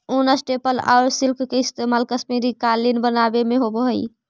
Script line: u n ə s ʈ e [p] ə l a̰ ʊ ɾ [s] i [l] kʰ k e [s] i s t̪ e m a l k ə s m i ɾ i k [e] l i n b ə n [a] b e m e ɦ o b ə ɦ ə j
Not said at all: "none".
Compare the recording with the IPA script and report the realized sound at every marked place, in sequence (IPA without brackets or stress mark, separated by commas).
p, s, l, none, a, a